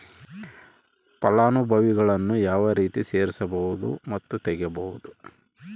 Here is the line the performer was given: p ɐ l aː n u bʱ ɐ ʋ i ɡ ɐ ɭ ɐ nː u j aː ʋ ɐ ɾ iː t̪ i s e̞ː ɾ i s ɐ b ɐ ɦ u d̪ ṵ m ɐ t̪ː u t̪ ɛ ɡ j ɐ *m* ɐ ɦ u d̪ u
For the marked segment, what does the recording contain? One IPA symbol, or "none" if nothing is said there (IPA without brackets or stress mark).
b